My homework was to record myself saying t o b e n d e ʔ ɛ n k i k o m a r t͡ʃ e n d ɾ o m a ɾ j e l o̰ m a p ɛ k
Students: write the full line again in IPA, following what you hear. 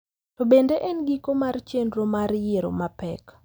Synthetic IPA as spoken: t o b e n d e ʔ ɛ n ɡ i k o m a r t͡ʃ e n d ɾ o m a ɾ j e ɾ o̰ m a p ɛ k